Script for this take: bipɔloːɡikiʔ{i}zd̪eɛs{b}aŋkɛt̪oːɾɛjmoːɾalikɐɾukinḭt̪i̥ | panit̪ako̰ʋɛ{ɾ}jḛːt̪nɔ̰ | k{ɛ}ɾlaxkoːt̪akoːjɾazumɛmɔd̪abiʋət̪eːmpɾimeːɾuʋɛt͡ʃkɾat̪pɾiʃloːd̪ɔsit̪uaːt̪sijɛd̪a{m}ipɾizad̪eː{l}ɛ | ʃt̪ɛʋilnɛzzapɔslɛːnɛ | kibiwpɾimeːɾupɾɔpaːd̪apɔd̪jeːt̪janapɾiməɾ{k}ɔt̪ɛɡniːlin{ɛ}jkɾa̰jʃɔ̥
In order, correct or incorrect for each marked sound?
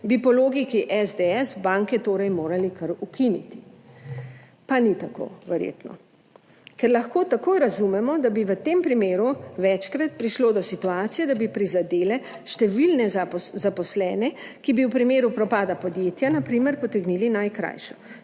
incorrect, correct, correct, correct, incorrect, correct, incorrect, incorrect

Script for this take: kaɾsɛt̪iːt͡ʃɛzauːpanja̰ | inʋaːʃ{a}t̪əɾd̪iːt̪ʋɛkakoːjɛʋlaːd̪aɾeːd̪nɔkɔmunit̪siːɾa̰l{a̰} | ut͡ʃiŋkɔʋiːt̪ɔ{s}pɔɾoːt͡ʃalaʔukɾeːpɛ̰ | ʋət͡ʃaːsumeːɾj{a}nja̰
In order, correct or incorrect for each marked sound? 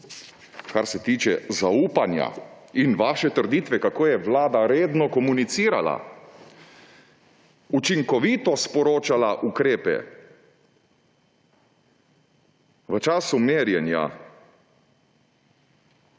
incorrect, correct, correct, incorrect

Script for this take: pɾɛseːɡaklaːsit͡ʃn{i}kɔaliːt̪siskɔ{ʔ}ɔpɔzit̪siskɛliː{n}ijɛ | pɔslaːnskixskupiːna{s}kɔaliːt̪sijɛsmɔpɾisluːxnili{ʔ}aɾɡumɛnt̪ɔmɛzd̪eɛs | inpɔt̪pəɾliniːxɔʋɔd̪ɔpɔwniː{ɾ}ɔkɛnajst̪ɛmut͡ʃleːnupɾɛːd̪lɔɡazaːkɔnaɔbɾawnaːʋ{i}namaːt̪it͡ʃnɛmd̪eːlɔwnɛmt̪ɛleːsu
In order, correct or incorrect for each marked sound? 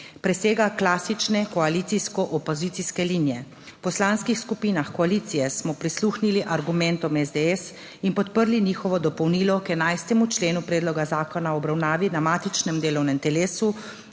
incorrect, correct, correct, incorrect, correct, incorrect, correct

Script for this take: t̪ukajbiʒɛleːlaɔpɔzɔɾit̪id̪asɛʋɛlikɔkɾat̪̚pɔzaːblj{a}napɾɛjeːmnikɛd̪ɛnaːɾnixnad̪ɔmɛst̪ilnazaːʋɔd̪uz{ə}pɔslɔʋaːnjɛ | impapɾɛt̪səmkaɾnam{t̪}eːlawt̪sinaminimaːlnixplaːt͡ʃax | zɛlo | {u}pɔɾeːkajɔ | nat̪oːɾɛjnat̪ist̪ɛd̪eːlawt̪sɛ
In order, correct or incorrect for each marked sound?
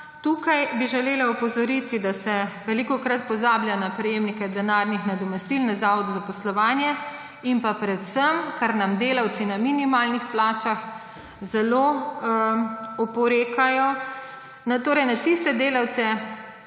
correct, incorrect, incorrect, incorrect

